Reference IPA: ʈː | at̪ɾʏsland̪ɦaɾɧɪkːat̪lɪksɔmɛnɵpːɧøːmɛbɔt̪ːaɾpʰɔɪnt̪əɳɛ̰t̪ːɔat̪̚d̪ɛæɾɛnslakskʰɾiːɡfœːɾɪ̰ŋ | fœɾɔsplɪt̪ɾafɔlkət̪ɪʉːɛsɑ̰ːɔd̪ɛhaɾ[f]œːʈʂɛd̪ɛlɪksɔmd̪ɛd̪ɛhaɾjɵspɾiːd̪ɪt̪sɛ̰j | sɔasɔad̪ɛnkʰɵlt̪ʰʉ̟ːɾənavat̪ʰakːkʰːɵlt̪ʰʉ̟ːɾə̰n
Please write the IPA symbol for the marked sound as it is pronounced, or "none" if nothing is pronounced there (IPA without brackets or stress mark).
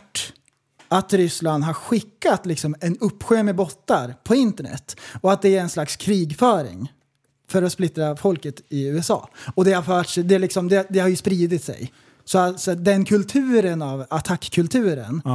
f